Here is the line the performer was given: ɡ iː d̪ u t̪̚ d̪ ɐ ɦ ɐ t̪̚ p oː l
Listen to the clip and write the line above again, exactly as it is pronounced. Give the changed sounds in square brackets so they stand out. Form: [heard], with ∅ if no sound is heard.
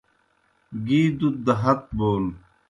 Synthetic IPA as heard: ɡ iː d̪ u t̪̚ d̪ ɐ ɦ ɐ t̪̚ [b] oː l